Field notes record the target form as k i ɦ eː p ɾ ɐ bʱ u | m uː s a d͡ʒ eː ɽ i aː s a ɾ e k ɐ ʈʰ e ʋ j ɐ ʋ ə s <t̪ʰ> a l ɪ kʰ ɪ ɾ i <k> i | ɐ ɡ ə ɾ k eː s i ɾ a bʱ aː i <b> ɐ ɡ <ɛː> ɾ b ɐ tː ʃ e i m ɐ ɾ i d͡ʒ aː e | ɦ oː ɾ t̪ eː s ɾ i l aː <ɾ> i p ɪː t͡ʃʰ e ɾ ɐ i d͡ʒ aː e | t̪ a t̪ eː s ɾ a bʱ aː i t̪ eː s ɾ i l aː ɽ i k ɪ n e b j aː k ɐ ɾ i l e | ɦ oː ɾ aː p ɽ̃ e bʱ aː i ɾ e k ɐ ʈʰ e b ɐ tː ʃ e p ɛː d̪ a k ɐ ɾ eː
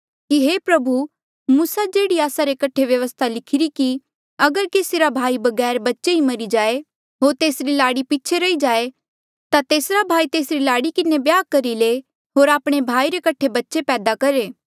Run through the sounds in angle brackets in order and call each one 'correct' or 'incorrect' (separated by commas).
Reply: correct, correct, correct, correct, incorrect